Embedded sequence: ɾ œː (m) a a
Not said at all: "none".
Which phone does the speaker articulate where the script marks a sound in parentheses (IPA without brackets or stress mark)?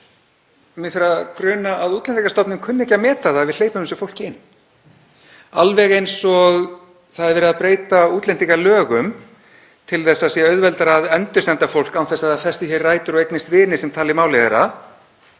n